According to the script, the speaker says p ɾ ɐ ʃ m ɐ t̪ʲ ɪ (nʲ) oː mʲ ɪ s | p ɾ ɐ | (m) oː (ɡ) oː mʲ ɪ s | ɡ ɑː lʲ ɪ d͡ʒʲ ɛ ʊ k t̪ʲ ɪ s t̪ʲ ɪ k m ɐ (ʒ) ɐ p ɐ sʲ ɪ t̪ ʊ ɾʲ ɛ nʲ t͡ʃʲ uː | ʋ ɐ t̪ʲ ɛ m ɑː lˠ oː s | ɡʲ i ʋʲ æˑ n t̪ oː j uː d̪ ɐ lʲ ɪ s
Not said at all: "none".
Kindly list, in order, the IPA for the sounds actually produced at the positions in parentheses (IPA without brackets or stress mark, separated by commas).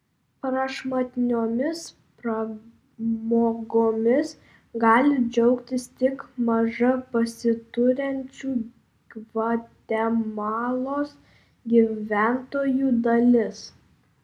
nʲ, m, ɡ, ʒ